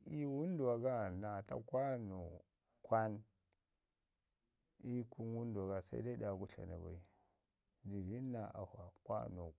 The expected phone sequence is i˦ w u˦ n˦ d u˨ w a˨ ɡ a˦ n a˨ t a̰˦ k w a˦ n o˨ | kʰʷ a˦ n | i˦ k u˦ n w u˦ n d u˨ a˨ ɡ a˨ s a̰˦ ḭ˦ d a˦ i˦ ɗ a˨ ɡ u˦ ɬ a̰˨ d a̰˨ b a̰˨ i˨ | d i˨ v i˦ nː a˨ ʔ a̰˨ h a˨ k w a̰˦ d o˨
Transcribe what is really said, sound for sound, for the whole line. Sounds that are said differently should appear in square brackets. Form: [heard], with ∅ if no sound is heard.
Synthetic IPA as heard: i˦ w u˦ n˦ d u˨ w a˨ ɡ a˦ n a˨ t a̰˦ k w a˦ n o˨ | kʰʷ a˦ n | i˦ k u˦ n w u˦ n d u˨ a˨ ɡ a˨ s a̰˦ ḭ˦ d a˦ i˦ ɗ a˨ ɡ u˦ ɬ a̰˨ [n] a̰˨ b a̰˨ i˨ | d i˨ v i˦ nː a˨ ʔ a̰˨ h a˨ k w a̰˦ [n] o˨